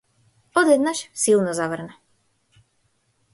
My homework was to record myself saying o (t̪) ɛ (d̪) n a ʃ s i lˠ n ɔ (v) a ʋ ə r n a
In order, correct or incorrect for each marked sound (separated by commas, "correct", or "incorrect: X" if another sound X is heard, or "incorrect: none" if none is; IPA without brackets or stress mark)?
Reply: incorrect: d̪, correct, incorrect: z